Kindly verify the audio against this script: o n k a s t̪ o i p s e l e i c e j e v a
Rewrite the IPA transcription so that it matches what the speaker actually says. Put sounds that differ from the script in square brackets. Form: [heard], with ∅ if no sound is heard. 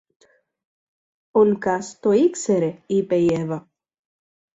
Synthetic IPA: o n k a s t̪ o i [k] s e [ɾ] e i [p] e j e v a